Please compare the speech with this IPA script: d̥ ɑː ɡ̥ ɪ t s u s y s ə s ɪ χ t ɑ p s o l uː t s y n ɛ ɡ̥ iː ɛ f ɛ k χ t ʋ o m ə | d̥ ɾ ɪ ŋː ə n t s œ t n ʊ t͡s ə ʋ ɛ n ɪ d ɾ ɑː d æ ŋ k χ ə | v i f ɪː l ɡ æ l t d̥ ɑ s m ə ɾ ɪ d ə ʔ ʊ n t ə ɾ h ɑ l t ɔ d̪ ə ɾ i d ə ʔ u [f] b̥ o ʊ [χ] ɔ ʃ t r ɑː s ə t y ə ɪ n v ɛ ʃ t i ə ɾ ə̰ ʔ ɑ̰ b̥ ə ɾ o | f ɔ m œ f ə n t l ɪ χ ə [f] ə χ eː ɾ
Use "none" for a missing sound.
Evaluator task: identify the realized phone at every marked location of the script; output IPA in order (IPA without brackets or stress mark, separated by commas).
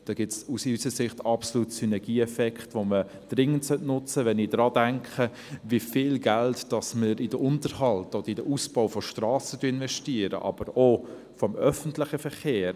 s, f, f